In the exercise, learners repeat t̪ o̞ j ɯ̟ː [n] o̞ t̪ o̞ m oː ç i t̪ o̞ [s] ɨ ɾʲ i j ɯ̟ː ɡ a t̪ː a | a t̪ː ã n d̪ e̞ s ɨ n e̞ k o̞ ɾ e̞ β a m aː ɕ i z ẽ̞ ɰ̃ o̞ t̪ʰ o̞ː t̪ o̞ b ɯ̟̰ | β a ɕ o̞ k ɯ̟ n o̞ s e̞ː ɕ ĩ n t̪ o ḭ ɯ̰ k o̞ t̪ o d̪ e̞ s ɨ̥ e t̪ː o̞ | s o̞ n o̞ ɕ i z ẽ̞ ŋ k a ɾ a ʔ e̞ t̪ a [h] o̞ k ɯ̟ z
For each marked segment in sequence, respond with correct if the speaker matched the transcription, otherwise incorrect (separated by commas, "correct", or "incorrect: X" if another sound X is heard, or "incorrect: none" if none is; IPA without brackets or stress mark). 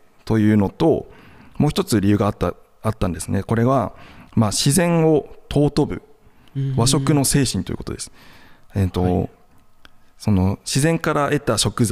correct, incorrect: t͡s, incorrect: ɕ